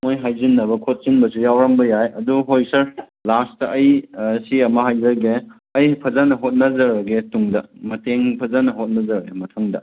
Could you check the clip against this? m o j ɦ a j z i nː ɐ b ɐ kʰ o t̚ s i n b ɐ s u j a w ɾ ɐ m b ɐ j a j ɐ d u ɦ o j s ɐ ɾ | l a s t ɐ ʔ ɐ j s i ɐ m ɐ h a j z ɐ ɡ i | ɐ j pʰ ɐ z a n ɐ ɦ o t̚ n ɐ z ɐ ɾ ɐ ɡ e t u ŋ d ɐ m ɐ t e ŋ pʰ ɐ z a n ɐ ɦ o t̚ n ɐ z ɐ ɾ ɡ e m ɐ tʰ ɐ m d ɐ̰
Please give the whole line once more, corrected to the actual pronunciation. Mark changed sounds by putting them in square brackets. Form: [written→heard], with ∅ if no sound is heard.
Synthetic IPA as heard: m o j ɦ a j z i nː ɐ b ɐ kʰ o t̚ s i n b ɐ s u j a w ɾ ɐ m b ɐ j a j ɐ d u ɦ o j s ɐ ɾ | l a s t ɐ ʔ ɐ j s i ɐ m ɐ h a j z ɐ ɡ [i→e] | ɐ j pʰ ɐ z a n ɐ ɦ o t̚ n ɐ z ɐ ɾ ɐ ɡ e t u ŋ d ɐ m ɐ t e ŋ pʰ ɐ z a n ɐ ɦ o t̚ n ɐ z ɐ ɾ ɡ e m ɐ tʰ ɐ [m→ŋ] d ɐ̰